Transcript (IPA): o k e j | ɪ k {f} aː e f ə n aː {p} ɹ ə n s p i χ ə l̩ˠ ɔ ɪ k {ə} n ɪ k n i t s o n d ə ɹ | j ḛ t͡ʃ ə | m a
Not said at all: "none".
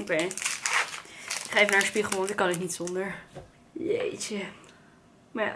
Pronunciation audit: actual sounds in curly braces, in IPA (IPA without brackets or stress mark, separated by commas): χ, none, ɑ